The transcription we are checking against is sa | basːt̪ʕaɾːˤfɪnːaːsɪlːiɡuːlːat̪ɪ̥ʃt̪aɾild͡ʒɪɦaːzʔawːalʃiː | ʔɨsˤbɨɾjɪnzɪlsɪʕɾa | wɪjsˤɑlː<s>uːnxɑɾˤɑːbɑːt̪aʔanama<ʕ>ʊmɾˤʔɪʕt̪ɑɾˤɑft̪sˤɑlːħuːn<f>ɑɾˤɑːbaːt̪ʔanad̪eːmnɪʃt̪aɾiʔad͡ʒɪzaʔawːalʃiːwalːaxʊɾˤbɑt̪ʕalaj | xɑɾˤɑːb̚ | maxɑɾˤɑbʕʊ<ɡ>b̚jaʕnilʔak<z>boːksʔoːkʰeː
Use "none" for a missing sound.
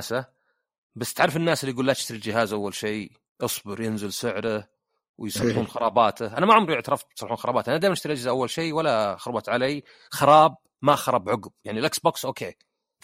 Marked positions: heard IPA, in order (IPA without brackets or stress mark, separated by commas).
ħ, ʕ, x, ɡ, s